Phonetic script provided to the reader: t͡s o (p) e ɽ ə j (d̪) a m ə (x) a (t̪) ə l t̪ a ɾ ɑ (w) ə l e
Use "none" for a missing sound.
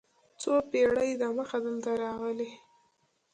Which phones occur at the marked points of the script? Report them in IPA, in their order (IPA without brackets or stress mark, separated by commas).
p, d̪, x, d̪, ɣ